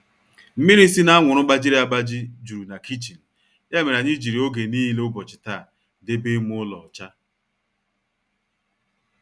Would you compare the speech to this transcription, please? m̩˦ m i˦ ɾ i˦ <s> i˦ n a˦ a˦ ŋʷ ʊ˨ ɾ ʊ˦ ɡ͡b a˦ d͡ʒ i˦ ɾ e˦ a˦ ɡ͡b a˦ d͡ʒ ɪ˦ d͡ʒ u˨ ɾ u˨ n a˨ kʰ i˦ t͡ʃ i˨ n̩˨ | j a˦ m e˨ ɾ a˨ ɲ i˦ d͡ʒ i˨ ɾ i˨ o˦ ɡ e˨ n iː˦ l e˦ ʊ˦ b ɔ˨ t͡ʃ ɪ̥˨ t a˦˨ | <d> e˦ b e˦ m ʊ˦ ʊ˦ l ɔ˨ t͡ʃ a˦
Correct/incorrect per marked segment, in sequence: correct, correct

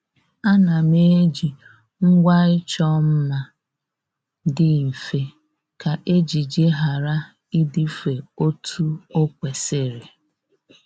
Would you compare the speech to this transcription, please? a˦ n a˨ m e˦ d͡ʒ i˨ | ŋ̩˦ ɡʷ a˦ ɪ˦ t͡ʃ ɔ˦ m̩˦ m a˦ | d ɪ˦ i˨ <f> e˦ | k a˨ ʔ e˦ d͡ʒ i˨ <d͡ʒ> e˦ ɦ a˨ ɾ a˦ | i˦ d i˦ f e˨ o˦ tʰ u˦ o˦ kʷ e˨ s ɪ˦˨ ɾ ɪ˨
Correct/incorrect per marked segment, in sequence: correct, correct

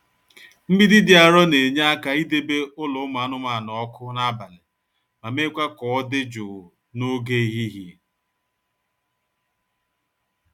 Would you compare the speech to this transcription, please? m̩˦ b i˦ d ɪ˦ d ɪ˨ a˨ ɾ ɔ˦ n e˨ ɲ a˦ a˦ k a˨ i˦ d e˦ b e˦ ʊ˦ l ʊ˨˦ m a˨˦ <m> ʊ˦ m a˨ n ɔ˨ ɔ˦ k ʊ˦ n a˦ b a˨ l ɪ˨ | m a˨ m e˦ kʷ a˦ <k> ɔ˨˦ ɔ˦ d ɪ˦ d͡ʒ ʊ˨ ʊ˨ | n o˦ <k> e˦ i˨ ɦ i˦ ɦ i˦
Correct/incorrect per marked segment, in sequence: incorrect, correct, incorrect

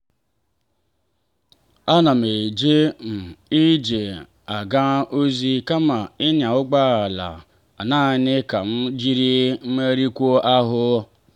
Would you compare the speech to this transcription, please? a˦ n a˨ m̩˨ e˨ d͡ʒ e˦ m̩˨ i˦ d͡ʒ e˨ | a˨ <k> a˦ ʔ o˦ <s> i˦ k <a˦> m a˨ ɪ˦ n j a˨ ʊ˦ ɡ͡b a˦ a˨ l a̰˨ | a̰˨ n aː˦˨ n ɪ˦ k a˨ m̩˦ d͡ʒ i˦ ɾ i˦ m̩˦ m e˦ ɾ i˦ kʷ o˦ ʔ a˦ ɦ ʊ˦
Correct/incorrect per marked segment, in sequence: incorrect, incorrect, correct

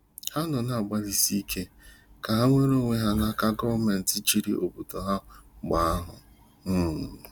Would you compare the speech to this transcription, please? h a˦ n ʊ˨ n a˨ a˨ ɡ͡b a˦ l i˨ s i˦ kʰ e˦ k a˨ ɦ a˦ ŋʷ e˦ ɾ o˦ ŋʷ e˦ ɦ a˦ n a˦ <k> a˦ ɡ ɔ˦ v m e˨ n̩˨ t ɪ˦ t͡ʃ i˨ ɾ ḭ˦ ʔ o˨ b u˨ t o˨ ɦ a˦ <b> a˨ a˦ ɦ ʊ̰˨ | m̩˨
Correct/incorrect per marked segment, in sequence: correct, incorrect

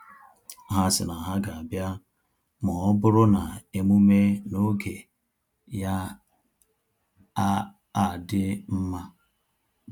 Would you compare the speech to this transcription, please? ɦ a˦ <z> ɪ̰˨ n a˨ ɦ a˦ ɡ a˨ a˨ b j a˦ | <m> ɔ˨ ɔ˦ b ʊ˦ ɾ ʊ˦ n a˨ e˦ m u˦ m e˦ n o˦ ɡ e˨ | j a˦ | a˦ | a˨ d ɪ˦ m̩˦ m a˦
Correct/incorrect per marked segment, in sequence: incorrect, correct

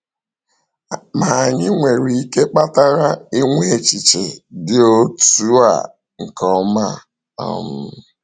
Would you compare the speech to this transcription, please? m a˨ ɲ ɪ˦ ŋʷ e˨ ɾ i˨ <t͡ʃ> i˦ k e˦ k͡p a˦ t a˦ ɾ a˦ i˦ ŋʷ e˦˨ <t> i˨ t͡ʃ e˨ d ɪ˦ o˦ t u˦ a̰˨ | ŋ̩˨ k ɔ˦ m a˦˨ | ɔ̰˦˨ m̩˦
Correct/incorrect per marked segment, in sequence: incorrect, incorrect

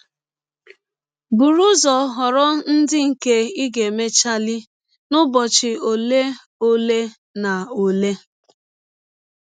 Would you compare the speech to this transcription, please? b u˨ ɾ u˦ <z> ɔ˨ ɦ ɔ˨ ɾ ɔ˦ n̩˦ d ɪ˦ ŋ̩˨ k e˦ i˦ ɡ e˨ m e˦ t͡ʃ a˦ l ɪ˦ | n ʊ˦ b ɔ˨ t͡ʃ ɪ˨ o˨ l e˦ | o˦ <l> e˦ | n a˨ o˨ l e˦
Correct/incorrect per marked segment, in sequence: correct, correct

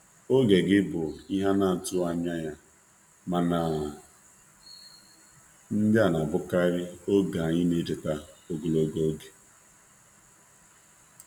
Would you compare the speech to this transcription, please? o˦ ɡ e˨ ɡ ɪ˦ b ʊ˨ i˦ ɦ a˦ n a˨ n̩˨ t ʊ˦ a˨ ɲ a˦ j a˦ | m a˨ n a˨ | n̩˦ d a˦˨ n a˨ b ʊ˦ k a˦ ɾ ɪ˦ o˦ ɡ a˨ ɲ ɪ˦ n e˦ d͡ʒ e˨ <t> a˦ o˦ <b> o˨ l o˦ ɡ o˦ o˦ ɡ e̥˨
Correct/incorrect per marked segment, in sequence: correct, incorrect

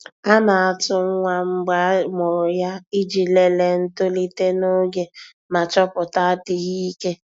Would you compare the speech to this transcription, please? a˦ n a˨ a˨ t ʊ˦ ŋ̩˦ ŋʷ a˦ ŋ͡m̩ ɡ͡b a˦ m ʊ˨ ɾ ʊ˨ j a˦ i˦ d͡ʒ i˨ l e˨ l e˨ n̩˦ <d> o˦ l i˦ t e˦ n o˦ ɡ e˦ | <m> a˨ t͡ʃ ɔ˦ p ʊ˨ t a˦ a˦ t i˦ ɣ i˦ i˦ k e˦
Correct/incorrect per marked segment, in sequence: incorrect, correct

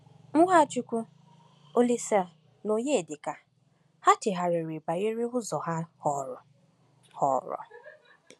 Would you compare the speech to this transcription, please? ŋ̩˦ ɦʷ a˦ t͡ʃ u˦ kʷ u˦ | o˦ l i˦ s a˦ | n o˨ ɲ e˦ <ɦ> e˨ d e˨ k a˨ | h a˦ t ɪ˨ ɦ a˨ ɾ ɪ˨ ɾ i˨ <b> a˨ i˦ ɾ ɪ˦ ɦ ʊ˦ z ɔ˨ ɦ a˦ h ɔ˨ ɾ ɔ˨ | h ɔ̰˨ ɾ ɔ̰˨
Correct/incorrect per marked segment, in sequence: incorrect, correct

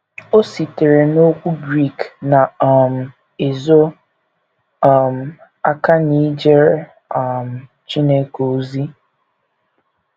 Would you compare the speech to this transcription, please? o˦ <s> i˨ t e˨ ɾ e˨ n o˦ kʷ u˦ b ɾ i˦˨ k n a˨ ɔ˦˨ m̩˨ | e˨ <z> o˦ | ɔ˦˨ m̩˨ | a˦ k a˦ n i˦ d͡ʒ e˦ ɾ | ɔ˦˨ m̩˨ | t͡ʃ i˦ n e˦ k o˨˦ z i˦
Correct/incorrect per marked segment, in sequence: correct, correct

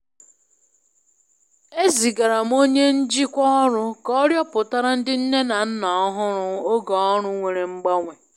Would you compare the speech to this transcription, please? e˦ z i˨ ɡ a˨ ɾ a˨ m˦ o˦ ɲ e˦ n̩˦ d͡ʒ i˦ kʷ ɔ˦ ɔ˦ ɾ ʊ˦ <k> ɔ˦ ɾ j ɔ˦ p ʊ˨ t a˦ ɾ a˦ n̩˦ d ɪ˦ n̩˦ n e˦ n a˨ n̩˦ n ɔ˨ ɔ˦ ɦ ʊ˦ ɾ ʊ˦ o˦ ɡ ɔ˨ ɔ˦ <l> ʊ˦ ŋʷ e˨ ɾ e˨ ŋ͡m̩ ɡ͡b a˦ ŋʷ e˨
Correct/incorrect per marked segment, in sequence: correct, incorrect

